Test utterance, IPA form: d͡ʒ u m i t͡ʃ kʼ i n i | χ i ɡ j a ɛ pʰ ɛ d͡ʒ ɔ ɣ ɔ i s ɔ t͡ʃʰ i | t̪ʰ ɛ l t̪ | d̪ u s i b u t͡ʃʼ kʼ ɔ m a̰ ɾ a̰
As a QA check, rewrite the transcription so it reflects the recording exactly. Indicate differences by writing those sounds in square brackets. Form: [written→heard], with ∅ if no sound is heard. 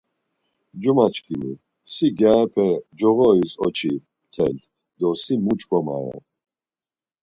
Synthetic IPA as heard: d͡ʒ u m [i→a] t͡ʃ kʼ i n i | [χ→s] i ɡ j a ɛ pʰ ɛ d͡ʒ ɔ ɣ ɔ i s ɔ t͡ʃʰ i | t̪ʰ ɛ l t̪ | d̪ [u→ɔ] s i [b→m] u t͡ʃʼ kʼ ɔ m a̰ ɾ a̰

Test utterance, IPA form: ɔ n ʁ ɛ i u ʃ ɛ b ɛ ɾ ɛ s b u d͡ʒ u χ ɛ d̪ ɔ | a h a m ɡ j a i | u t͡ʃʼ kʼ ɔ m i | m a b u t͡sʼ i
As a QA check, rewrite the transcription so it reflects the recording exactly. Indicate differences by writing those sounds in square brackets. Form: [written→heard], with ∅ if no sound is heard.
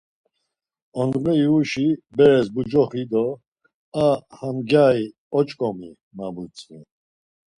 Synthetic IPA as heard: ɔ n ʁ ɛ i u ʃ [ɛ→i] b ɛ ɾ ɛ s b u d͡ʒ [u→ɔ] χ [ɛ→i] d̪ ɔ | a h a m ɡ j a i | [u→ɔ] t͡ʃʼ kʼ ɔ m i | m a b u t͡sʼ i

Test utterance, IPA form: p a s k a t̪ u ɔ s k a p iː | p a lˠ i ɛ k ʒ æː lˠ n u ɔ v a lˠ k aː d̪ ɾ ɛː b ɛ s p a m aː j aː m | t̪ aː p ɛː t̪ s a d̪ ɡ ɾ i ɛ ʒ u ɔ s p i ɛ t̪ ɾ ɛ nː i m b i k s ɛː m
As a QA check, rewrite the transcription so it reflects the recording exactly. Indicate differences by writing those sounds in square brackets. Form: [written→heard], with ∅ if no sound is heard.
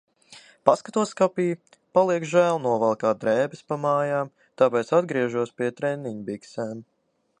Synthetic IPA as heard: p a s k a t̪ u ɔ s k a p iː | p a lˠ i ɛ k ʒ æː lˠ n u ɔ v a lˠ k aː d̪ ɾ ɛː b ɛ s p a m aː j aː m | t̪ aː p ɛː t̪ s a d̪ ɡ ɾ i ɛ ʒ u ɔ s p i ɛ t̪ ɾ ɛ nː i [m→ɲ] b i k s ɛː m

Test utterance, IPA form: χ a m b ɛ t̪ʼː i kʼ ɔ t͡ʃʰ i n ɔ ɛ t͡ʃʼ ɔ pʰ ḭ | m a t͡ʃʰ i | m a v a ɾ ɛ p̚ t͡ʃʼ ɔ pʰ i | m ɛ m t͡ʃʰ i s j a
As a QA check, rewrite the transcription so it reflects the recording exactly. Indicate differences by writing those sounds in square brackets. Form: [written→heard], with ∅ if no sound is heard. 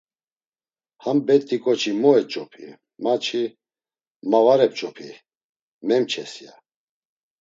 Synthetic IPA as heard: [χ→h] a m b ɛ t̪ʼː i kʼ ɔ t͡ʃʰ i [n→m] ɔ ɛ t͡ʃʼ ɔ pʰ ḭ | m a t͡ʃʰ i | m a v a ɾ ɛ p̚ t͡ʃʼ ɔ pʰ i | m ɛ m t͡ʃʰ [i→ɛ] s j a

